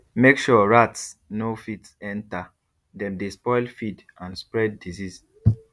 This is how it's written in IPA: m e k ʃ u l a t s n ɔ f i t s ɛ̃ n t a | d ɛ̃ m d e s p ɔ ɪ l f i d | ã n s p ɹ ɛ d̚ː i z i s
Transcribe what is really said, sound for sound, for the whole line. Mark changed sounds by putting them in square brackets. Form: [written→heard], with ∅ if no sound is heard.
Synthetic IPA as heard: m e k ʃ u [l→ɹ] a t s n [ɔ→o] f i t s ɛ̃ n t a | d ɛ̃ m d e s p ɔ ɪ l f i d | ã n s p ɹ ɛ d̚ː i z i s